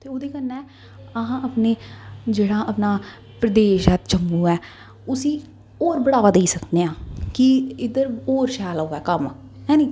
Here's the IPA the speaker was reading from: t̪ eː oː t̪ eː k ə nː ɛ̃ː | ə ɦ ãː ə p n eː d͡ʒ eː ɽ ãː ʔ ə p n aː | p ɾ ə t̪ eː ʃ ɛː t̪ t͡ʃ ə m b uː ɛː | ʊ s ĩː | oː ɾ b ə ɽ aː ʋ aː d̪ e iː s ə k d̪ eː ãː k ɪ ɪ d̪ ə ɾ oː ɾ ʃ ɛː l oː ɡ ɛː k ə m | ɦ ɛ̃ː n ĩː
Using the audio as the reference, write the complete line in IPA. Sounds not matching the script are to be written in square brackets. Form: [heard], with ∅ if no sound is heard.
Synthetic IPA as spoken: t̪ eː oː [d̪] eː k ə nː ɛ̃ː | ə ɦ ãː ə p n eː d͡ʒ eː ɽ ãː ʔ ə p n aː | p ɾ ə [d̪] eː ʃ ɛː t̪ t͡ʃ ə m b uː ɛː | ʊ s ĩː | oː ɾ b ə ɽ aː ʋ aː d̪ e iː s ə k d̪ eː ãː k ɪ ɪ d̪ ə ɾ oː ɾ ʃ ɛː l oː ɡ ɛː k ə m | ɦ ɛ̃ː n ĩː